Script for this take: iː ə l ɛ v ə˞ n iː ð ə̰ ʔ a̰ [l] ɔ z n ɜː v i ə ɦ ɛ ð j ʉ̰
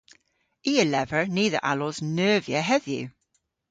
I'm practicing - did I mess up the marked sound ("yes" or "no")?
no